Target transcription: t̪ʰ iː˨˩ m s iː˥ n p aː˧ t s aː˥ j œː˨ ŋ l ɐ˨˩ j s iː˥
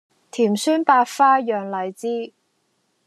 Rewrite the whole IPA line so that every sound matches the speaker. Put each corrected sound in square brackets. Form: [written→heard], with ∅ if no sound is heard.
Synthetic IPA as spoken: t̪ʰ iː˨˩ m s [iː˥→yː˥] n p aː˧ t [s→f] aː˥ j œː˨ ŋ l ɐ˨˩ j [s→t͡s] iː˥